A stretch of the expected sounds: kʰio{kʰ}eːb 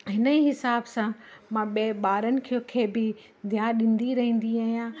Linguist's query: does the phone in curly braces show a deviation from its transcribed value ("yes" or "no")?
no